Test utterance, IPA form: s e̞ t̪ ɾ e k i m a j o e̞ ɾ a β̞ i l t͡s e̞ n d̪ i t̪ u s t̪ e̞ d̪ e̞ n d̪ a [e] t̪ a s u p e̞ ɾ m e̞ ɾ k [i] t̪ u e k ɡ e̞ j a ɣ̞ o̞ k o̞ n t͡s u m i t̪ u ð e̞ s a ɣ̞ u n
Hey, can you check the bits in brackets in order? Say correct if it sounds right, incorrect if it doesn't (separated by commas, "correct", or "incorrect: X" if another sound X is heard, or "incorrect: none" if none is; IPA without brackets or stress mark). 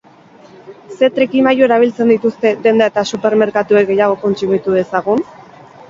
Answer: correct, incorrect: a